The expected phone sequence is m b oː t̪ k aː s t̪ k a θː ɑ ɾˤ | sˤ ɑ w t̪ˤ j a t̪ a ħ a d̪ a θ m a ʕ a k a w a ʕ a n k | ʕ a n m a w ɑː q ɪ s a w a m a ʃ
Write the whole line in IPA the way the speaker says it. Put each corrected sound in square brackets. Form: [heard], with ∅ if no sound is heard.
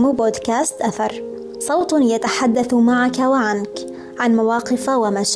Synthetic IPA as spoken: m b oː [d̪] k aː s t̪ [ʔ] a [θ] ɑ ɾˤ | sˤ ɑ w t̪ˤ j a t̪ a ħ a [d̪ː] a θ m a ʕ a k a w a ʕ a n k | ʕ a n m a w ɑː q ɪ [f] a w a m a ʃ